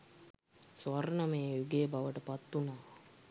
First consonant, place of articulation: alveolar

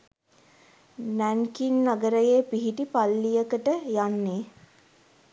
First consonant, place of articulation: alveolar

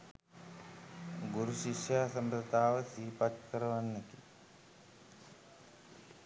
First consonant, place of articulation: velar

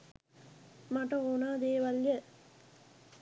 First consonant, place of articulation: labial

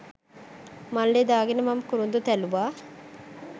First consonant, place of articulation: labial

